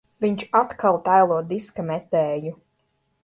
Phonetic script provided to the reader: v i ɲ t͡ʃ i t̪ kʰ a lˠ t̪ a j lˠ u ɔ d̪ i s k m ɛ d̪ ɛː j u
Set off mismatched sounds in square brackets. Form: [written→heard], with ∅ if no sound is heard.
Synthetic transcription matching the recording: v i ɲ t͡ʃ [i→a] t̪ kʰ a lˠ t̪ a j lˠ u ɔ d̪ i s k m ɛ [d̪→t̪] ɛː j u